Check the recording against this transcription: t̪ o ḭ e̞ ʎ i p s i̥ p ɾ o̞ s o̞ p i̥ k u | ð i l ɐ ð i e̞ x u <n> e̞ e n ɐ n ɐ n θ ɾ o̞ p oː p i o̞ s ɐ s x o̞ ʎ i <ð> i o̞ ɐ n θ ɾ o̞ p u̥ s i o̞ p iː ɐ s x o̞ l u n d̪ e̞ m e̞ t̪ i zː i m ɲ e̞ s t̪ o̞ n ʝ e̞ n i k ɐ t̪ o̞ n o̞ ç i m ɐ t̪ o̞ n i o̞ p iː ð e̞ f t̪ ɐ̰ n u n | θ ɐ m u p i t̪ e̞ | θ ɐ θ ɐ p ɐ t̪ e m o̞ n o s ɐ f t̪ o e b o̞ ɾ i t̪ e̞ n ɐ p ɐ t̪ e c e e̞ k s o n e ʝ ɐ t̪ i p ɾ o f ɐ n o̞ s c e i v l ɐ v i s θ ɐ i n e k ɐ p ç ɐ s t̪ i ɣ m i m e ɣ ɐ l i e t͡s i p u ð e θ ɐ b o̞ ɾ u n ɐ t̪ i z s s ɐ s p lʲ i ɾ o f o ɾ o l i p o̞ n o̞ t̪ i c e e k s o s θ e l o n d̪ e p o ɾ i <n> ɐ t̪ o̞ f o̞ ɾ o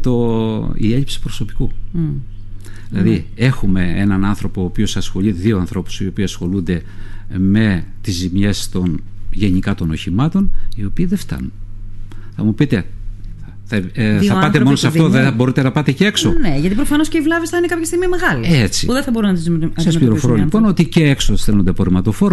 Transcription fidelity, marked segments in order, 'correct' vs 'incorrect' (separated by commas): incorrect, correct, incorrect